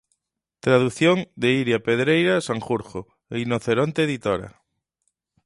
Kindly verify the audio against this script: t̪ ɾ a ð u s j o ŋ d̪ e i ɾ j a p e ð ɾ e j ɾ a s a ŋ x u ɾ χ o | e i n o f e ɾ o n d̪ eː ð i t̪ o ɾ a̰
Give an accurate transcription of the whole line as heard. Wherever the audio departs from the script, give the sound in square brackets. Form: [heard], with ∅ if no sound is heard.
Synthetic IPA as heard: t̪ ɾ a ð u [θ] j o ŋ d̪ e i ɾ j a p e ð ɾ e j ɾ a s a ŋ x u ɾ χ o | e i n o [θ] e ɾ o n [t̪] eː ð i t̪ o ɾ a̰